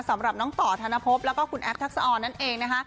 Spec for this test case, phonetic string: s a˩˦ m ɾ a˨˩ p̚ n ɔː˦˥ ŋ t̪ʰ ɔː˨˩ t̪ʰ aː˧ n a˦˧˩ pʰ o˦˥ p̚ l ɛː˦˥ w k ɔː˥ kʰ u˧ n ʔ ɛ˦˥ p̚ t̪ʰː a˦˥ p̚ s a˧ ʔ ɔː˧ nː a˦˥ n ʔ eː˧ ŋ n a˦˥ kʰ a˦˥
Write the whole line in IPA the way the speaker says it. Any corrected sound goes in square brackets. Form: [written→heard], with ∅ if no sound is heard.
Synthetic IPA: s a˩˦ m ɾ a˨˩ p̚ n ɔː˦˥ ŋ [t̪ʰ→t̪] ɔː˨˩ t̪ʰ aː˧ n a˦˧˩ pʰ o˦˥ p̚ l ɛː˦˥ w k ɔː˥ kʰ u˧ n ʔ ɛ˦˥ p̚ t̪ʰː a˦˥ [p̚→k̚] s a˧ ʔ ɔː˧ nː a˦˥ n ʔ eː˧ ŋ n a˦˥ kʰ a˦˥